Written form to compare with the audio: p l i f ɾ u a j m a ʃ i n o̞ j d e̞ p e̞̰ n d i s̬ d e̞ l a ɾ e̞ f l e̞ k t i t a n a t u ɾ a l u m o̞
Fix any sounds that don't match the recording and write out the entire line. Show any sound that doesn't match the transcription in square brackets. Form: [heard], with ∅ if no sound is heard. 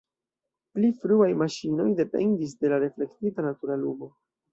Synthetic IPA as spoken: p l i f ɾ u a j m a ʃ i n o̞ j d e̞ p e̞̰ n d i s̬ d e̞ l a ɾ e̞ f l e̞ k t i t a n a t u ɾ a l u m o̞

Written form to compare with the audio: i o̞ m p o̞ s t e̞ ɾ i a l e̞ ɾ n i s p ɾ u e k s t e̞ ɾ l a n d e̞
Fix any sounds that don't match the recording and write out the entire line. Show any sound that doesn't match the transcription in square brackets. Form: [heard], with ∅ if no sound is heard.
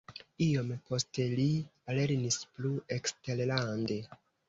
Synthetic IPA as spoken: i o̞ m p o̞ s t e̞ [l] i a l e̞ ɾ n i s p [l] u e k s t e̞ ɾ l a n d e̞

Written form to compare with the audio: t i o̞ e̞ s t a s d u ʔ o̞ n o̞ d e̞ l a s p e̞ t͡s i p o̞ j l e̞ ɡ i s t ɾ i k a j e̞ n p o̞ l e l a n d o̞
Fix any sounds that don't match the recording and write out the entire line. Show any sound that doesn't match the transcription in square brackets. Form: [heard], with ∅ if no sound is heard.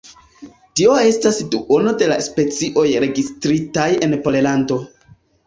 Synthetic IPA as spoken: t i o̞ e̞ s t a s d u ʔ o̞ n o̞ d e̞ l a s p e̞ t͡s i [ʔ] o̞ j [ɾ] e̞ ɡ i s t ɾ i [t] a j e̞ n p o̞ l e l a n d o̞

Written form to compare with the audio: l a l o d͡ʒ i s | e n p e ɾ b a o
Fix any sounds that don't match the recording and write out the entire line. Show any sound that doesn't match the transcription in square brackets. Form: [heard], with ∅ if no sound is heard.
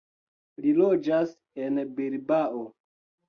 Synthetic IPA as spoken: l [i] l o d͡ʒ [a] s | e n [b] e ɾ b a o

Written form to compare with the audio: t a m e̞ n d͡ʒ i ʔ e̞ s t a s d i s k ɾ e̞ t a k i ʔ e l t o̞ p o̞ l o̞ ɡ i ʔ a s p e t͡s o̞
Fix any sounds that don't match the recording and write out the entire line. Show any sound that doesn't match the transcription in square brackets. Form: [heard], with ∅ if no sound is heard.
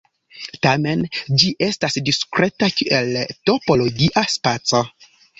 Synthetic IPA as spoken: t a m e̞ n d͡ʒ i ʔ e̞ s t a s d i s k ɾ e̞ t a k i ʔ e l t o̞ p o̞ l o̞ ɡ i ʔ a s p [a] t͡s o̞

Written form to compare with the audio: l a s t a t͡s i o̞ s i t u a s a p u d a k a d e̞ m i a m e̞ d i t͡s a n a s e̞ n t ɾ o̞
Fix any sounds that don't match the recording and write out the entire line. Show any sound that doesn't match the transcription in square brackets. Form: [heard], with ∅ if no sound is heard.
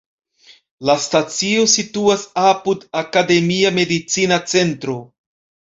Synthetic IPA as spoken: l a s t a t͡s i o̞ s i t u a s a p u d a k a d e̞ m i a m e̞ d i t͡s [i] n a [t͡s] e̞ n t ɾ o̞

